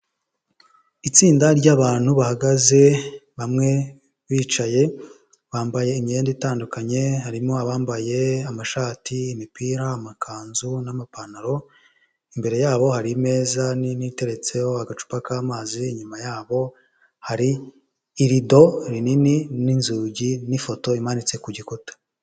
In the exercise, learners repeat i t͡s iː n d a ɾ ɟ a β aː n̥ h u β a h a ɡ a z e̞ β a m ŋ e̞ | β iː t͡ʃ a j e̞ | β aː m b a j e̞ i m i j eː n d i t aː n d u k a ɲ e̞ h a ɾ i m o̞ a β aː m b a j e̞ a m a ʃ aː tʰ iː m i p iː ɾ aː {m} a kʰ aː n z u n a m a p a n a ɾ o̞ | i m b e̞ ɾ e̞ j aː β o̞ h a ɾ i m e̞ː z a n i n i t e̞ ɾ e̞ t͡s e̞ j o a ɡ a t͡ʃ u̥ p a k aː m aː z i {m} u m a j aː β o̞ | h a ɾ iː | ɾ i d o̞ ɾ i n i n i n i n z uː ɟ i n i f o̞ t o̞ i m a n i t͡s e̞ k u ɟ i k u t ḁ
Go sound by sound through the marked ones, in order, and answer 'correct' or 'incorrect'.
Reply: correct, incorrect: ɲ

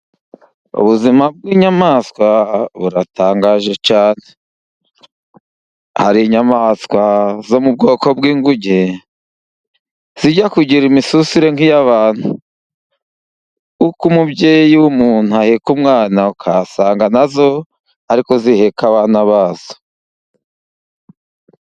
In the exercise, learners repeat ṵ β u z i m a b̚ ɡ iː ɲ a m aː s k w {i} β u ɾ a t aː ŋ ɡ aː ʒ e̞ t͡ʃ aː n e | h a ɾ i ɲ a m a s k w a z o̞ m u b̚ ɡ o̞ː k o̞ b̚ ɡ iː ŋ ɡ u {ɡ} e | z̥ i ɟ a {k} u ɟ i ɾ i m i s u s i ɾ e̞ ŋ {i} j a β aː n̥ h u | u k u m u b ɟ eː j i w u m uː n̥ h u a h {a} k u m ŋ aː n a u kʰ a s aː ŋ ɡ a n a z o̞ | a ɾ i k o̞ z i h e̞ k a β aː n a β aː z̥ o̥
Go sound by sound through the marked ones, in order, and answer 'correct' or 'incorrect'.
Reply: incorrect: a, incorrect: ɟ, correct, correct, incorrect: e

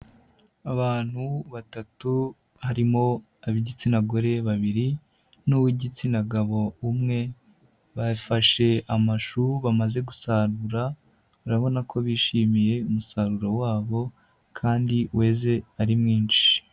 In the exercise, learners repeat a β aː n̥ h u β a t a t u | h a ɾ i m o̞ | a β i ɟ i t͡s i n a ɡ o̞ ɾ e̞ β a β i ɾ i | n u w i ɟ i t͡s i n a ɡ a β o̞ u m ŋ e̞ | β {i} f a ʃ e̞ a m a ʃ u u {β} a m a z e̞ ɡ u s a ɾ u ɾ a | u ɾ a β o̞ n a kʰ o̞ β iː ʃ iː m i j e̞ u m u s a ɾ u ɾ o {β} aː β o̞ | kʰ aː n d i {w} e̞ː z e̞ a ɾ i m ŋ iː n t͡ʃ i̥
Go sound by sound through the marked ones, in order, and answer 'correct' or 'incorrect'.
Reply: incorrect: a, correct, incorrect: w, correct

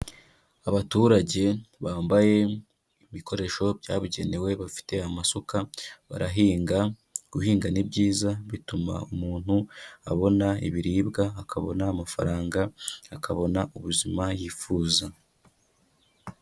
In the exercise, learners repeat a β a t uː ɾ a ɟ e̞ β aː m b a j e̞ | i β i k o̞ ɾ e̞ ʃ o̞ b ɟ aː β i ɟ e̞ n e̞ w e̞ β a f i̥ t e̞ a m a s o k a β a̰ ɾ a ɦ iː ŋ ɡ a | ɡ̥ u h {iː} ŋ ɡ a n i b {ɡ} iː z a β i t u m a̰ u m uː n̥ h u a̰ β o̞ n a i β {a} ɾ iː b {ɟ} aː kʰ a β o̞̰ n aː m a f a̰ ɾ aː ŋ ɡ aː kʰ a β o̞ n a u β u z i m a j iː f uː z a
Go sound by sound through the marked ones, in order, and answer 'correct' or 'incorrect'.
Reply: correct, incorrect: ɟ, incorrect: i, incorrect: ɡ

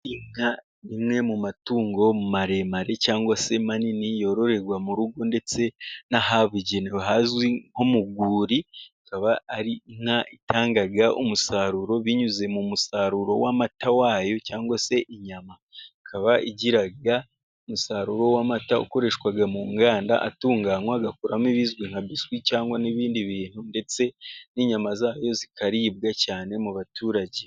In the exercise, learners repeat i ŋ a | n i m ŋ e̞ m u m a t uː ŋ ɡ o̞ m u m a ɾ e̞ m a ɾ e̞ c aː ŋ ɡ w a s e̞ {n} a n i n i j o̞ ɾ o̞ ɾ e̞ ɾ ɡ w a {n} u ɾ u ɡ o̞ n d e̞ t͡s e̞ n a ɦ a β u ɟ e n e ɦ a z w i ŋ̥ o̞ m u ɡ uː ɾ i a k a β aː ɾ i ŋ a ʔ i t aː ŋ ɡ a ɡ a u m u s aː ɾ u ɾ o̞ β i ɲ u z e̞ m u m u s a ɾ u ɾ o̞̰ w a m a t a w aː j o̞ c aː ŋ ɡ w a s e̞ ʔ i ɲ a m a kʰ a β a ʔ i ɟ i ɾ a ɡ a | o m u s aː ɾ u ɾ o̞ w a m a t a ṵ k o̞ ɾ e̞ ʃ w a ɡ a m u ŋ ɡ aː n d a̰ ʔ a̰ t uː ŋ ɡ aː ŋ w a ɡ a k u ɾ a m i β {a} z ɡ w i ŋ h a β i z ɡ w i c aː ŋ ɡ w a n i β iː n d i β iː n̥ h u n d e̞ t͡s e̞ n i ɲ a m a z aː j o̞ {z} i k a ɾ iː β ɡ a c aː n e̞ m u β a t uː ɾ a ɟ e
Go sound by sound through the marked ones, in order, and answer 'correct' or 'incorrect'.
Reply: incorrect: m, incorrect: m, incorrect: i, correct

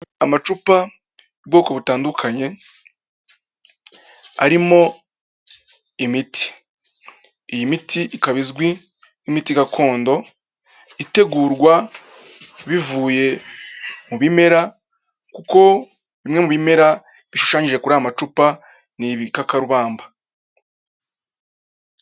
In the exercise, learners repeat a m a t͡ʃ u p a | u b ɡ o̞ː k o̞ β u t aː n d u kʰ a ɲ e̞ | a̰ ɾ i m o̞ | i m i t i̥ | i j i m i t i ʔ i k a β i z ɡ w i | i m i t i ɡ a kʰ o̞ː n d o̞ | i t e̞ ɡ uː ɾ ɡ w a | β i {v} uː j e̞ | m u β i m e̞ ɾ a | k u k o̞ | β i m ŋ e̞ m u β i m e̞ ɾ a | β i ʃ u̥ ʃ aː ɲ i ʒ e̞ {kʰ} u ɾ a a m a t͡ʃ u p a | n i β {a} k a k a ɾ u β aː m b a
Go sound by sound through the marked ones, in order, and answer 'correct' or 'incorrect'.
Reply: correct, incorrect: k, incorrect: i

